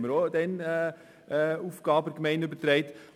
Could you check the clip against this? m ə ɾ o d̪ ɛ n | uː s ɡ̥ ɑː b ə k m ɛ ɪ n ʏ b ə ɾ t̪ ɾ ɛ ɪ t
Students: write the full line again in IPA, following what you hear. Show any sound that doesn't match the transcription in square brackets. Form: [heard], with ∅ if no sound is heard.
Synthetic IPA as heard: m ə ɾ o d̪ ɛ n | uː [f] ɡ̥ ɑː b ə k m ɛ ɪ n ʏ b ə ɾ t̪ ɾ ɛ ɪ t